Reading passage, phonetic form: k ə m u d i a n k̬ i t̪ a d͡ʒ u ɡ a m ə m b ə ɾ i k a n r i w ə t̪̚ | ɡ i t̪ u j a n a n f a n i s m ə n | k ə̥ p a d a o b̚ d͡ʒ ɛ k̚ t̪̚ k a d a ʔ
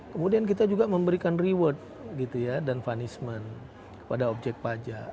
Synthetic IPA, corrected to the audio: k ə m u d i a n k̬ i t̪ a d͡ʒ u ɡ a m ə m b ə ɾ i k a n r i w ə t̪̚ | ɡ i t̪ u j a d a n f a n i s m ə n | k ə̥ p a d a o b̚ d͡ʒ ɛ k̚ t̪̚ p a d͡ʒ a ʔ